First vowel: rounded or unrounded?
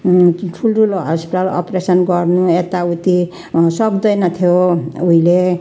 rounded